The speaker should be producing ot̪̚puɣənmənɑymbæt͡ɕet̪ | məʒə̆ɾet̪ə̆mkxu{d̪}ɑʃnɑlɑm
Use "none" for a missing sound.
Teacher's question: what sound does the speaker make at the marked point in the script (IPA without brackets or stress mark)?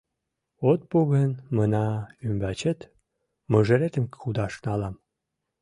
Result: d̪